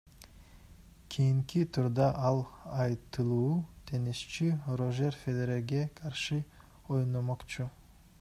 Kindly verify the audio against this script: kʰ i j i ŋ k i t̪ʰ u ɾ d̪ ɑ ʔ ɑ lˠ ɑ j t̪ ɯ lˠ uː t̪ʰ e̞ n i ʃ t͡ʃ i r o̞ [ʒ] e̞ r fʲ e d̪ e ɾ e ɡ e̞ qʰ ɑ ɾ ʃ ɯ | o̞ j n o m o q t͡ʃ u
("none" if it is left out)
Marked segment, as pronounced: ʒ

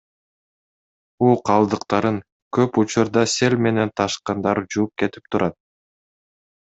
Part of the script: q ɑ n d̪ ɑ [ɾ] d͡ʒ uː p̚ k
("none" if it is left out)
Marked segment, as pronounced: ɾ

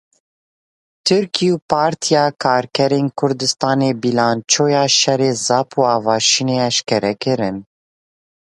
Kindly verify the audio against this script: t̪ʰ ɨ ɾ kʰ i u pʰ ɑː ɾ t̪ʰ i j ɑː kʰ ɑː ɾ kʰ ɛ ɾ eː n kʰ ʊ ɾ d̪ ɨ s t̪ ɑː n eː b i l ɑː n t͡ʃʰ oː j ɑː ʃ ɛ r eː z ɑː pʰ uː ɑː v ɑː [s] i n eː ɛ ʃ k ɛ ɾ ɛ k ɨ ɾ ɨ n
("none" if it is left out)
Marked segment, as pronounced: ʃ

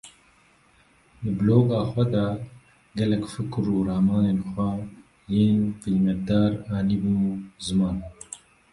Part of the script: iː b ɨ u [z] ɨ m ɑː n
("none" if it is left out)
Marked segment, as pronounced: z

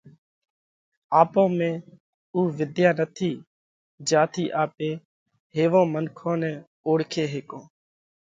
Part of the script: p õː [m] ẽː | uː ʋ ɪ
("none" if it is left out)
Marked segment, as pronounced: m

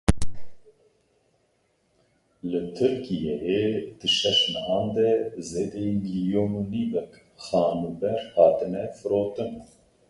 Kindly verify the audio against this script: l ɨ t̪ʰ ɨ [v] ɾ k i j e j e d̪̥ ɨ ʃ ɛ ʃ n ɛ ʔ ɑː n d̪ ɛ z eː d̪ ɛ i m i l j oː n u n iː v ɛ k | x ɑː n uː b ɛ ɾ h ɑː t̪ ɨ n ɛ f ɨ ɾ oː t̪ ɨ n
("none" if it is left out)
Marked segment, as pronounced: none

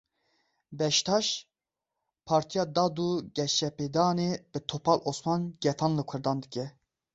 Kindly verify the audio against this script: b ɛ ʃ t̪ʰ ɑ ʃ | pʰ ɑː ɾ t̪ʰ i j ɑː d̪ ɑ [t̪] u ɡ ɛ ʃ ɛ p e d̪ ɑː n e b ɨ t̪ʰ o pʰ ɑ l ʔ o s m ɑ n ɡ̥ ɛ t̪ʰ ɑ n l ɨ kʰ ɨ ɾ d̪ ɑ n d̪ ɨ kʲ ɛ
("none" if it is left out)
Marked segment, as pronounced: d̪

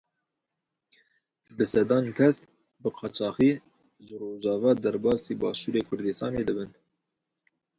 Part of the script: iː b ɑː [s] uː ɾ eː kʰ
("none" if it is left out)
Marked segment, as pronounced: ʃ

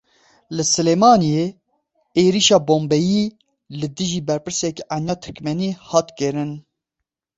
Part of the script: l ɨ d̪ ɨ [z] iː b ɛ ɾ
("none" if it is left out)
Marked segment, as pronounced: ʒ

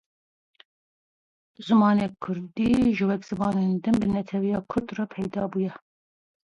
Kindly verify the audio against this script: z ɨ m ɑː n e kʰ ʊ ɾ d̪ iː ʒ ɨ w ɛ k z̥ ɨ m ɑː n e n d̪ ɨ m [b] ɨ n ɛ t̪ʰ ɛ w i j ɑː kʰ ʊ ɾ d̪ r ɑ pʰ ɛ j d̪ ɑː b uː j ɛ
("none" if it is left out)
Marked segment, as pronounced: b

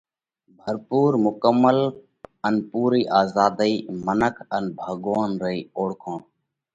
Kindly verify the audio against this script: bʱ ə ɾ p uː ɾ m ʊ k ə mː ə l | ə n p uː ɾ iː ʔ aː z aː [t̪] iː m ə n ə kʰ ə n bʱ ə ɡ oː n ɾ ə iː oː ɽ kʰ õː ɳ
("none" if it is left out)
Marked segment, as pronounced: d̪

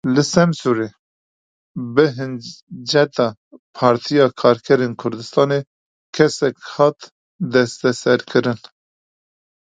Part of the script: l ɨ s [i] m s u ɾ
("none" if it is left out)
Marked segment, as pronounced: ɛ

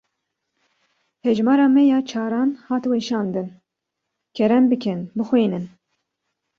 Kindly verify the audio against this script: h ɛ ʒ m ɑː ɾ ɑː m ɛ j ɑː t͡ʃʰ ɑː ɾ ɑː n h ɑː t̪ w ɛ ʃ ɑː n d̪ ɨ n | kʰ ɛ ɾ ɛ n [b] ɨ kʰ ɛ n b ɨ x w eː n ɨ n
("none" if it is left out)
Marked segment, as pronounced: b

